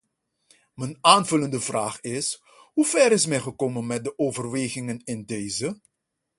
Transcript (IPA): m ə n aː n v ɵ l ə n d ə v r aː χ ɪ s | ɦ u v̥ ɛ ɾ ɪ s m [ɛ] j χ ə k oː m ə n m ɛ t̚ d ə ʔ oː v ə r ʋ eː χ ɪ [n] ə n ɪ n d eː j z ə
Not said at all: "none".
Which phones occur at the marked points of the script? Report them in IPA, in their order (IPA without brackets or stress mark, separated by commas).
ɛ, ŋ